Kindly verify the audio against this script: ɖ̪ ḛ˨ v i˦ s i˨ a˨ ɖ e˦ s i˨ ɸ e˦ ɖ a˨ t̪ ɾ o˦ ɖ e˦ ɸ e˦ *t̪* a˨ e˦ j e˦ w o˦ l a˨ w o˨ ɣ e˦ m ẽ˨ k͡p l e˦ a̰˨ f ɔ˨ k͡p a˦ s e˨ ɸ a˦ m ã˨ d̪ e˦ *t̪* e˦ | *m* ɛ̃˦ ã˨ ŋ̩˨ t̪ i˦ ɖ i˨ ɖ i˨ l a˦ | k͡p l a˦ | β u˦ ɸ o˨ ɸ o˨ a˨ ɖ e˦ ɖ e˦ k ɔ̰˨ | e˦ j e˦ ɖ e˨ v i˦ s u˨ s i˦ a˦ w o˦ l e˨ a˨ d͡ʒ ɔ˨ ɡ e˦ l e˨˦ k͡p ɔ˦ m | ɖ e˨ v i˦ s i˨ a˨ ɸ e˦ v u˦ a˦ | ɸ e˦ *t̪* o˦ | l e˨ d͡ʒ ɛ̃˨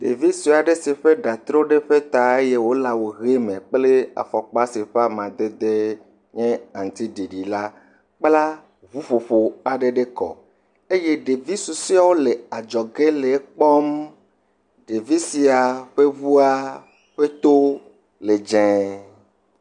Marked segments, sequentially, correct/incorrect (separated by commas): correct, incorrect, incorrect, correct